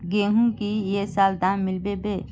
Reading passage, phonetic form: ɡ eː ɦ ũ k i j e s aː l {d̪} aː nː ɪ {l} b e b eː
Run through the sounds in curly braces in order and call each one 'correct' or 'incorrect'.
correct, correct

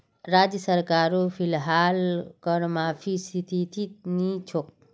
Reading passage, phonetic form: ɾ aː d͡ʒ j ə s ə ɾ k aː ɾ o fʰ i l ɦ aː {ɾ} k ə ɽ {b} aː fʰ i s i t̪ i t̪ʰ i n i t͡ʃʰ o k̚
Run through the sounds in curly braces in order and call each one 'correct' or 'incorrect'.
incorrect: l, incorrect: m

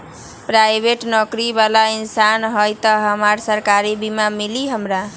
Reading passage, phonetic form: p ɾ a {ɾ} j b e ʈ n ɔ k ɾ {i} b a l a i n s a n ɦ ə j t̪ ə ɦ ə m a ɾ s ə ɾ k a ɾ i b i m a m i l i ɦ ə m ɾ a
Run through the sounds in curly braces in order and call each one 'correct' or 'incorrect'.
incorrect: none, correct

